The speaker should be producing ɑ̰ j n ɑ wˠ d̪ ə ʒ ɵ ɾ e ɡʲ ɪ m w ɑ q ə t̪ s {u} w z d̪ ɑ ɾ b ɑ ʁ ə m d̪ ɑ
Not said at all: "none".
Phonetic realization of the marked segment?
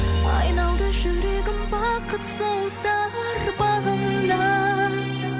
o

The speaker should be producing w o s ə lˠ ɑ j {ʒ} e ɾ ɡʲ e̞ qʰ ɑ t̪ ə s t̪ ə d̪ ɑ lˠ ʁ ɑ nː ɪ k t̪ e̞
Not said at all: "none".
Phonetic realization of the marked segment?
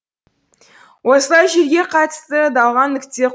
ʒ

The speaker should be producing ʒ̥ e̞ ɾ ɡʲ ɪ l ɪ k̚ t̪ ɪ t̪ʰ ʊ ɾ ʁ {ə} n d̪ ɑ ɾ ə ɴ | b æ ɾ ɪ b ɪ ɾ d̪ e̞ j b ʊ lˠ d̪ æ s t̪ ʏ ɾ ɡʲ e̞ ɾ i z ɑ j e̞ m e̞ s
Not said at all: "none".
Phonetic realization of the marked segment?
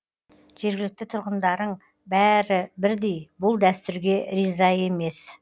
ə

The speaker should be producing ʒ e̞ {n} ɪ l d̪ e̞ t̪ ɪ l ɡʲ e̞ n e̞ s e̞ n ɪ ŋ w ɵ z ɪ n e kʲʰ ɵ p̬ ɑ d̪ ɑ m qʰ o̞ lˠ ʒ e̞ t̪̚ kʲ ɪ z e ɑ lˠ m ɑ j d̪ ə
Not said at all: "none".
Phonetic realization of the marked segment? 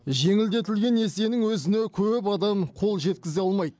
ŋ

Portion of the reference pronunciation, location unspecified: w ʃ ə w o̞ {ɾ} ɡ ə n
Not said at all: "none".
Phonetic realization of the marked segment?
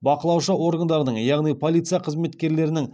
ɾ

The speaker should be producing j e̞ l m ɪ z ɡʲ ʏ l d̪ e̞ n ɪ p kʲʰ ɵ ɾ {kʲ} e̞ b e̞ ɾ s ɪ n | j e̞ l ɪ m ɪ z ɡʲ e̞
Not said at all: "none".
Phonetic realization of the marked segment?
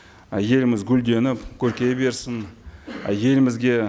kʲ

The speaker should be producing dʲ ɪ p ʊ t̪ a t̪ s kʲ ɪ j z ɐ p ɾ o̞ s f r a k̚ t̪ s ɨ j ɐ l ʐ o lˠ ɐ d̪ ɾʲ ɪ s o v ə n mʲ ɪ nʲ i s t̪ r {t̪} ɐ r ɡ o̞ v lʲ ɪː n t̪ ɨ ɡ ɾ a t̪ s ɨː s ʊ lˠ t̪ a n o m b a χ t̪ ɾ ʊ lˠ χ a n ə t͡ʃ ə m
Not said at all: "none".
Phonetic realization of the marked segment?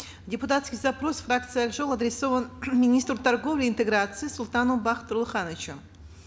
t̪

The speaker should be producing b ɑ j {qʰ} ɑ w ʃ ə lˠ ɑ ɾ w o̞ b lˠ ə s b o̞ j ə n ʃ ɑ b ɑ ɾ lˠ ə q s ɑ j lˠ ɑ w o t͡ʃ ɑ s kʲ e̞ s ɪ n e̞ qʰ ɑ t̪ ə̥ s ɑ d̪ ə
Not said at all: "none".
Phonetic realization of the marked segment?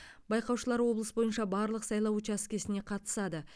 q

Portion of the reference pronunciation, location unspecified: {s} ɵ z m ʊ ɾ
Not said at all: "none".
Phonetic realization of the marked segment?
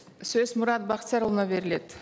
s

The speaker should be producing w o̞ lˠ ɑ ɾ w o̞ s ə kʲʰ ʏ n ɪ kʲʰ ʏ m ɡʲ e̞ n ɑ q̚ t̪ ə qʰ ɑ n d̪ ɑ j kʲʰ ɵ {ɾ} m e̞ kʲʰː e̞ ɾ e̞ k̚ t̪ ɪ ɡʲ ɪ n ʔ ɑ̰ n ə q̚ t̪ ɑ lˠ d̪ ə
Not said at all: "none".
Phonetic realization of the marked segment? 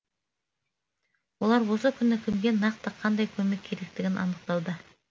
none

